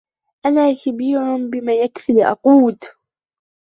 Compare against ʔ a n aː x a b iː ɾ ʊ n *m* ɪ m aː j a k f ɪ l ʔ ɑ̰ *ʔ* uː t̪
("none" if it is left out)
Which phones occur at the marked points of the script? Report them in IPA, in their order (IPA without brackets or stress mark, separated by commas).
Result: b, q